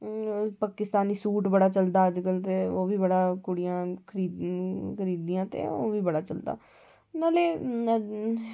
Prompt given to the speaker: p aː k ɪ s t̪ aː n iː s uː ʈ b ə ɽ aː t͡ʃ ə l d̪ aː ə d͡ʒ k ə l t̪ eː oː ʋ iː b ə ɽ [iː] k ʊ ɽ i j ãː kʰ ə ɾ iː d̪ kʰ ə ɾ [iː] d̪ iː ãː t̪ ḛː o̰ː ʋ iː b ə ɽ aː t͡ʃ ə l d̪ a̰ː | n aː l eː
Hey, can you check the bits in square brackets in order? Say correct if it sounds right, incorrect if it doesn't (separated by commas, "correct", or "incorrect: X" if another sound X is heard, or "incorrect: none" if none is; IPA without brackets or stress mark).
incorrect: aː, correct